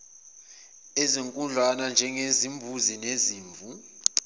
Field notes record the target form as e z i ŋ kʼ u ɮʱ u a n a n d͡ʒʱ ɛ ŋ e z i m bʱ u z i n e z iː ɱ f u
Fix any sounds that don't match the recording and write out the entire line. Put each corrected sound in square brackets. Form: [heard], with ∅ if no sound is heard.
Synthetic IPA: e z i ŋ kʼ u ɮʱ [w] a n a n d͡ʒʱ ɛ ŋ e z i m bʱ u z i n e z iː ɱ [v] u